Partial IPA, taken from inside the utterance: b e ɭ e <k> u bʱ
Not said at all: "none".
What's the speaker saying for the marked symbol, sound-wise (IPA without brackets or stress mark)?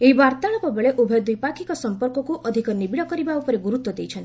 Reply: ʔ